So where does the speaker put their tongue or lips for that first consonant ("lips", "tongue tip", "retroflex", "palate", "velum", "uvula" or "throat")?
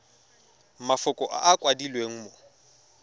lips